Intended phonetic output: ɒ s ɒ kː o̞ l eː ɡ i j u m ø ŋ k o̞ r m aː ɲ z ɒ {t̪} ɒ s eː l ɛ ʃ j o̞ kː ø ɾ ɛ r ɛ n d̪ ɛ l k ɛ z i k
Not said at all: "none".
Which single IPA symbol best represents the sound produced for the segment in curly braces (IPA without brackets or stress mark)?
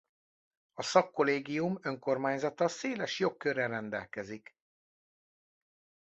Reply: t̪